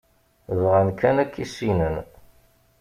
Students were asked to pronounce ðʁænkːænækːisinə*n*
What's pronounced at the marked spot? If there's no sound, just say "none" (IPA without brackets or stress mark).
n